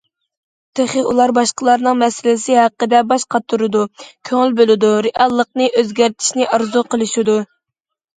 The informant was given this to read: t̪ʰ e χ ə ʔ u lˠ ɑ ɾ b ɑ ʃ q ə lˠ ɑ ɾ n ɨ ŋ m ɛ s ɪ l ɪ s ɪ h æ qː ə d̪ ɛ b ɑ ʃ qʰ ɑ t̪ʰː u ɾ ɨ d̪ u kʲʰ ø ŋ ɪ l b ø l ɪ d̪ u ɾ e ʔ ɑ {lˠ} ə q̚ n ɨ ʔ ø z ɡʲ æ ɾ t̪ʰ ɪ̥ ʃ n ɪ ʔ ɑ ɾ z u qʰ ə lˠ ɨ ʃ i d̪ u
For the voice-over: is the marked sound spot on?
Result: no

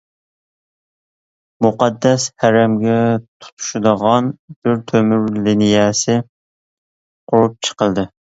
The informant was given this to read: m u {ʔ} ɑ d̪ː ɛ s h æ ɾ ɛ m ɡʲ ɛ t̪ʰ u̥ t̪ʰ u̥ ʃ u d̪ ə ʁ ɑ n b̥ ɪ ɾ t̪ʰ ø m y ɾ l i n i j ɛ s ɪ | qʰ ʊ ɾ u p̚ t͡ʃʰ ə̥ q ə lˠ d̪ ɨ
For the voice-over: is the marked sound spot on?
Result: no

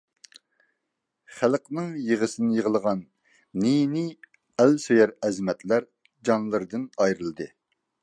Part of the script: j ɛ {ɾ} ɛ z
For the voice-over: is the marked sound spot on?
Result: yes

